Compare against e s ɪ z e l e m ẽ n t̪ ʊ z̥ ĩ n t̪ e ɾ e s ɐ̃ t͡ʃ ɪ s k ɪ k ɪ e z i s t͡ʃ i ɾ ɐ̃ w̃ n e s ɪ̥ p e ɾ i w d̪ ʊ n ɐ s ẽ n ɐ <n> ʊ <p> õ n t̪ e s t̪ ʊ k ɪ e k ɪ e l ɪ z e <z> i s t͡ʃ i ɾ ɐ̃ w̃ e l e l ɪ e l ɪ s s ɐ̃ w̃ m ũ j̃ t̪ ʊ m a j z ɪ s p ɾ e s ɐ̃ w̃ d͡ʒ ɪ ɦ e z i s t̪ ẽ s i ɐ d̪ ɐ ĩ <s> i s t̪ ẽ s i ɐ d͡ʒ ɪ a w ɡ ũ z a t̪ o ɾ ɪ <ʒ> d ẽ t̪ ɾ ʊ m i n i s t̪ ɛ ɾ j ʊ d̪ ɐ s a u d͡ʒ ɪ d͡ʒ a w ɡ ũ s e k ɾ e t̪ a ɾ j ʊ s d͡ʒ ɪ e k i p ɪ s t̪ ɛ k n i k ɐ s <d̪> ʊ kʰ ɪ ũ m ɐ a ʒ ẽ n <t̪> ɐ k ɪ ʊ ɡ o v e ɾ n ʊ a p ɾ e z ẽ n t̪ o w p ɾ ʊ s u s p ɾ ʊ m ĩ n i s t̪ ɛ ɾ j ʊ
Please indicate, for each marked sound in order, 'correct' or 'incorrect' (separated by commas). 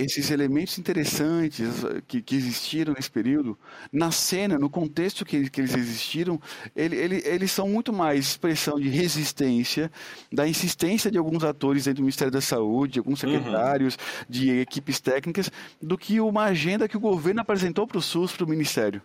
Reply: correct, incorrect, correct, correct, incorrect, correct, incorrect